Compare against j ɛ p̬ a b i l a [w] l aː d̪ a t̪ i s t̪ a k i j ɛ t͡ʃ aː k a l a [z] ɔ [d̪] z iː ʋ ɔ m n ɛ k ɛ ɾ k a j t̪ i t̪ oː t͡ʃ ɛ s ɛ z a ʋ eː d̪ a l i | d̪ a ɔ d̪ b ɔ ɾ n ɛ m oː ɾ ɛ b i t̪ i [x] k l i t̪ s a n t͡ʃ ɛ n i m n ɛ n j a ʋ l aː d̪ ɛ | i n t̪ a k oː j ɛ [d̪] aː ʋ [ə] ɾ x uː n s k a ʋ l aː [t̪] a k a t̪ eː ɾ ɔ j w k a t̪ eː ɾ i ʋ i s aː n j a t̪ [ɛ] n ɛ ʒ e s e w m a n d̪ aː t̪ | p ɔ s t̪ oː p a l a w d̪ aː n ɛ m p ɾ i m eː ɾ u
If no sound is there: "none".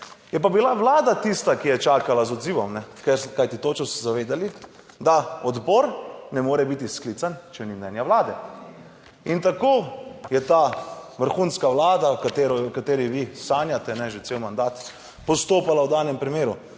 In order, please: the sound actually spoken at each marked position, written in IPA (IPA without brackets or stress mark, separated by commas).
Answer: ʋ, z, d̪, s, t̪, ə, d̪, ɛ